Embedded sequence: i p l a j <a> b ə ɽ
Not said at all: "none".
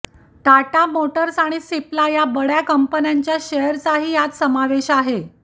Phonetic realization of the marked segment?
a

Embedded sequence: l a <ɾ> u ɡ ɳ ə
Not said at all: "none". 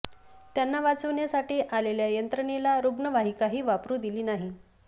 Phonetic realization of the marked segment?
ɾ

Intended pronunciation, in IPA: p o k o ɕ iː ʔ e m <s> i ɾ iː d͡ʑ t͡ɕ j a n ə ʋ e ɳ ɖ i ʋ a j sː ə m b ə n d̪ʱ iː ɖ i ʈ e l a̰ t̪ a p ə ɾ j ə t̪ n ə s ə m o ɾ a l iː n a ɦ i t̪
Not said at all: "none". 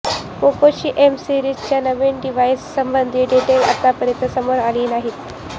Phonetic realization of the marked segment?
s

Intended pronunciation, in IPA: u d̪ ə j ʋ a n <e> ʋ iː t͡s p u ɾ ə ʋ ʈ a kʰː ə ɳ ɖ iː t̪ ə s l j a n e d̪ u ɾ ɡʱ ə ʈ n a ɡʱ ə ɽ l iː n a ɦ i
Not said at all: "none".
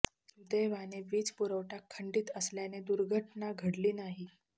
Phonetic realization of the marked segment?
e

